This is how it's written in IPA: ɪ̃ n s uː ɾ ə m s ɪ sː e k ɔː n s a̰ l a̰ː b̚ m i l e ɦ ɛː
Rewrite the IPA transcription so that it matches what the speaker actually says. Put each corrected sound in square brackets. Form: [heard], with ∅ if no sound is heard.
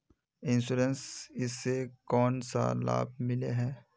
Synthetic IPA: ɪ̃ n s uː ɾ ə [n] s ɪ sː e k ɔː n s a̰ l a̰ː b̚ m [ɪ] l e ɦ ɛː